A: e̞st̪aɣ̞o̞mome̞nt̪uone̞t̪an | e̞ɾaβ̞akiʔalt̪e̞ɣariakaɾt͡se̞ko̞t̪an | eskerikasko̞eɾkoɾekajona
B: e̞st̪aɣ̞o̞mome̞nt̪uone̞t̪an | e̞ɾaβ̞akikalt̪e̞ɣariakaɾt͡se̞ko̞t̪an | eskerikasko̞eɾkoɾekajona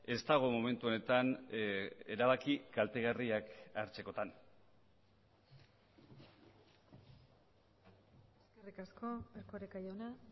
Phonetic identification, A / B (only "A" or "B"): B